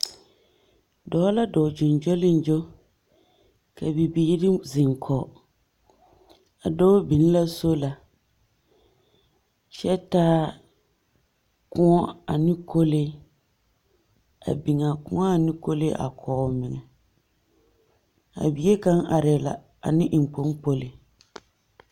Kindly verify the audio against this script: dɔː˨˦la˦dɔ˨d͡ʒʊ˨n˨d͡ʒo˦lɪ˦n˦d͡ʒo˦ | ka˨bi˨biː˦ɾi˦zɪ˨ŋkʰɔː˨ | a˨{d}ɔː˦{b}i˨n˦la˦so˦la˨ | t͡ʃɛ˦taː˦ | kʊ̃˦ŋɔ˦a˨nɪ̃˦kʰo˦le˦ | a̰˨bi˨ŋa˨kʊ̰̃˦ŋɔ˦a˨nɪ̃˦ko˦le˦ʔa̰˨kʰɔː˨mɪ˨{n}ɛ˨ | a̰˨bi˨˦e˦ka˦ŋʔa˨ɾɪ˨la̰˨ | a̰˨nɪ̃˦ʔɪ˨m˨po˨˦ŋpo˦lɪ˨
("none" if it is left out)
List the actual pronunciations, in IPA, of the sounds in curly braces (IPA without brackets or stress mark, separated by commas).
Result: d, b, ŋ